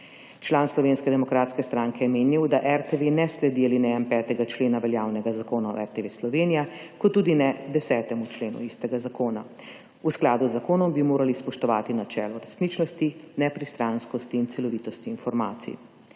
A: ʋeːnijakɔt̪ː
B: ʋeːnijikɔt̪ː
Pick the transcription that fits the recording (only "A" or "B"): A